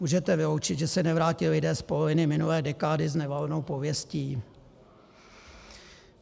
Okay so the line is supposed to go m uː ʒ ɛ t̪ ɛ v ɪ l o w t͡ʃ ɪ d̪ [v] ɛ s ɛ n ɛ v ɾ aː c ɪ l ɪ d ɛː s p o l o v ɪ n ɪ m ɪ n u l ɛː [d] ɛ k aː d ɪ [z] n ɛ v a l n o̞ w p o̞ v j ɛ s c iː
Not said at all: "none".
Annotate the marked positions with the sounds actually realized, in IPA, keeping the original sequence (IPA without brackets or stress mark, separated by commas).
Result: ʒ, d, z